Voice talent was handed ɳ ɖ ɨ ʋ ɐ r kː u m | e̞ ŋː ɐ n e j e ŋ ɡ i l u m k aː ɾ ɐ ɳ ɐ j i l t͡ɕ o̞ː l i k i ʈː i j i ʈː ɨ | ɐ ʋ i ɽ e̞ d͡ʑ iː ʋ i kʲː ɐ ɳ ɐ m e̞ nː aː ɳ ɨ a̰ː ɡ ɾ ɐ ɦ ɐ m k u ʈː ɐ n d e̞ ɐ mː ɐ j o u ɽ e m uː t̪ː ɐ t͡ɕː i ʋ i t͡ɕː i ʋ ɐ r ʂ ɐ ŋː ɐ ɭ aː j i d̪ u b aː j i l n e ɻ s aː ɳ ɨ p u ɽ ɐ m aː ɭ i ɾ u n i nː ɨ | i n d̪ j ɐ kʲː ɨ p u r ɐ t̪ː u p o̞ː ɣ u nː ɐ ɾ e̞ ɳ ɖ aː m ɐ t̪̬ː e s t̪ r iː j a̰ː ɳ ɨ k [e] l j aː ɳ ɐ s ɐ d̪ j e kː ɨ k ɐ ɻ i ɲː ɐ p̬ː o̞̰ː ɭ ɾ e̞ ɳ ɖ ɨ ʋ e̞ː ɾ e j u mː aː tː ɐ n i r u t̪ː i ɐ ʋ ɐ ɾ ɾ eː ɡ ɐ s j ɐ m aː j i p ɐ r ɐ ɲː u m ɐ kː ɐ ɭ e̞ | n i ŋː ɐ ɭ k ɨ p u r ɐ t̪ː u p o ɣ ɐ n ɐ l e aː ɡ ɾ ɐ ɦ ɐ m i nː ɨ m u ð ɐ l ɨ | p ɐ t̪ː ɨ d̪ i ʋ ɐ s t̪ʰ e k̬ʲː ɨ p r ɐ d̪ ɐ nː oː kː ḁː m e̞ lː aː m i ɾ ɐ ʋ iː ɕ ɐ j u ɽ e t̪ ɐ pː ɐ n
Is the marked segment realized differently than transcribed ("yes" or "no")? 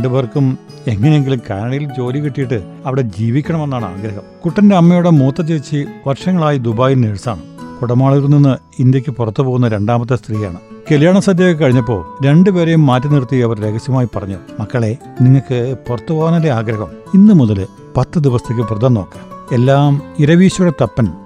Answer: no